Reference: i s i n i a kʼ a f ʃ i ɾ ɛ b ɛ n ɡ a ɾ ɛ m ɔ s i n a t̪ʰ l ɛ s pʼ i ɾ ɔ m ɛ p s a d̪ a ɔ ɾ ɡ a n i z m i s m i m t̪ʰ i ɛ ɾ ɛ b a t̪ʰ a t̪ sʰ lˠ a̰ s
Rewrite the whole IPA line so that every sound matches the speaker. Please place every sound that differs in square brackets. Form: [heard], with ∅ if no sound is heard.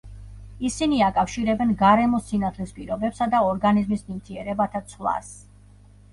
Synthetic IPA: i s i n i a kʼ a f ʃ i ɾ ɛ b ɛ n ɡ a ɾ ɛ m ɔ s i n a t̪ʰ l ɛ s pʼ i ɾ ɔ [b] ɛ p s a d̪ a ɔ ɾ ɡ a n i z m i s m i m t̪ʰ i ɛ ɾ ɛ b a t̪ʰ a t̪ sʰ lˠ a̰ s

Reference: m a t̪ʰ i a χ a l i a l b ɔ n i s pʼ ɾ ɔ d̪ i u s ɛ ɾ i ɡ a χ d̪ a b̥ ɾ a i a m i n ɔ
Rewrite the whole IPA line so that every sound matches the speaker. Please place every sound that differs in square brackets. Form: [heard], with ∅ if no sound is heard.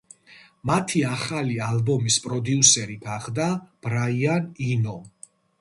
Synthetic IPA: m a t̪ʰ i a χ a l i a l b ɔ [m] i s pʼ ɾ ɔ d̪ i u s ɛ ɾ i ɡ a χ d̪ a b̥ ɾ a i a [n] i n ɔ

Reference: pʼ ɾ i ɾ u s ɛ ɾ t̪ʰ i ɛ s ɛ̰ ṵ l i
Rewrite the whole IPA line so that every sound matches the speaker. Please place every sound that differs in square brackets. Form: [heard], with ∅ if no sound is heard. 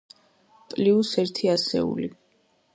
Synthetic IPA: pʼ [l] i [∅] u s ɛ ɾ t̪ʰ i [a] s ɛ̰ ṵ l i

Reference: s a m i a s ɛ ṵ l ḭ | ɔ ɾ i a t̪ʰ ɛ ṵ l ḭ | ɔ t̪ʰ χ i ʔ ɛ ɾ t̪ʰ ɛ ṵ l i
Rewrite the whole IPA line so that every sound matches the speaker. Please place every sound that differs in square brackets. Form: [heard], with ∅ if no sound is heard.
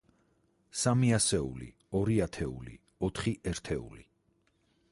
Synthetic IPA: s a m i a s ɛ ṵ l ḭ | ɔ ɾ i a t̪ʰ ɛ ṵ l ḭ | ɔ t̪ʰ χ i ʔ ɛ ɾ t̪ʰ ɛ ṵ l i

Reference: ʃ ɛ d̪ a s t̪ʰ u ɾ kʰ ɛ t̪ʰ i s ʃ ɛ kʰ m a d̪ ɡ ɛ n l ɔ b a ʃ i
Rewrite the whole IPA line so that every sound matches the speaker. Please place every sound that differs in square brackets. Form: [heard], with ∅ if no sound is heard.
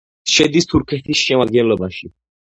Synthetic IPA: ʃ ɛ d̪ [i] s t̪ʰ u ɾ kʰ ɛ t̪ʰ i s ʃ ɛ [∅] m a d̪ ɡ ɛ n l ɔ b a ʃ i

